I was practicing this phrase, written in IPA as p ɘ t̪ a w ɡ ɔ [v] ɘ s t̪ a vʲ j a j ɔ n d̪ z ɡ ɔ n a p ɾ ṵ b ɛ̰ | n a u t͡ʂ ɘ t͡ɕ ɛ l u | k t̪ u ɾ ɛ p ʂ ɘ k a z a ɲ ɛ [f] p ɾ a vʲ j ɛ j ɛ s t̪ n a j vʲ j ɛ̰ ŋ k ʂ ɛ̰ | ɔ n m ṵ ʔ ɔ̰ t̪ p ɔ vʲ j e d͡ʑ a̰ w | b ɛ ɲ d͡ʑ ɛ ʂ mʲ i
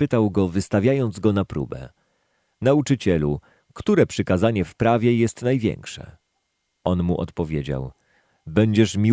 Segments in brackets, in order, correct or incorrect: correct, correct

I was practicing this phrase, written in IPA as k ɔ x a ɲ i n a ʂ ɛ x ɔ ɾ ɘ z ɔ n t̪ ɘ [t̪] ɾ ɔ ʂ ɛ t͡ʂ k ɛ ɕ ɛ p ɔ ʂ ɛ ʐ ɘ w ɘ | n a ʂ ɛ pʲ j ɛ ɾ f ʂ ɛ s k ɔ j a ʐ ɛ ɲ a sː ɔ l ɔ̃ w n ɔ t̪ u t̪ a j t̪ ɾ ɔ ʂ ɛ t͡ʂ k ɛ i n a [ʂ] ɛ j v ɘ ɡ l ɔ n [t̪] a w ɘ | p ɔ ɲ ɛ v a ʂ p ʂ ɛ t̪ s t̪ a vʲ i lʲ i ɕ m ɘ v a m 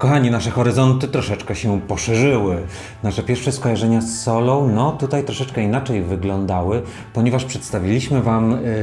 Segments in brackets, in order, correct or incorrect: correct, incorrect: t͡ʂ, incorrect: d̪

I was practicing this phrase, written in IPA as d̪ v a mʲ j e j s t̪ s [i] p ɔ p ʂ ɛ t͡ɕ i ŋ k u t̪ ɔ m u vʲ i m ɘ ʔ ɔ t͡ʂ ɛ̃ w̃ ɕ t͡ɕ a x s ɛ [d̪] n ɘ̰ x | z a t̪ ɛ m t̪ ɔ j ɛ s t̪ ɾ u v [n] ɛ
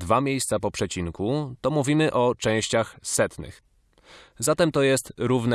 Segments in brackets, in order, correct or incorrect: incorrect: a, incorrect: t̪, correct

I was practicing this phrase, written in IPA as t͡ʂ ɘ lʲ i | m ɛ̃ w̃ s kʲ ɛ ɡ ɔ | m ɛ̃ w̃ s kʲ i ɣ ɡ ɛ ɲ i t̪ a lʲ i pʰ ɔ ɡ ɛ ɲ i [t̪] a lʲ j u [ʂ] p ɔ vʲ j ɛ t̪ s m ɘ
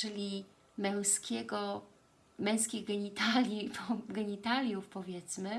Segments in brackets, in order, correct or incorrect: correct, incorrect: f

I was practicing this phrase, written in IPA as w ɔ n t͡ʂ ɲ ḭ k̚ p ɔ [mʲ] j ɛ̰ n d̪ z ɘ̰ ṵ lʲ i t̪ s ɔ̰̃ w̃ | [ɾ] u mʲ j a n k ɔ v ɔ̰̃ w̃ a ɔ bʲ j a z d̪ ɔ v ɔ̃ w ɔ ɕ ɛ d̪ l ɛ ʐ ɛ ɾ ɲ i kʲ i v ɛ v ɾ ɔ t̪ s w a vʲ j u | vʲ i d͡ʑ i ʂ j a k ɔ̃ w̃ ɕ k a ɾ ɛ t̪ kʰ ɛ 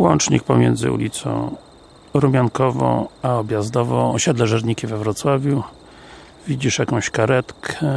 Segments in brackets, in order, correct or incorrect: correct, correct

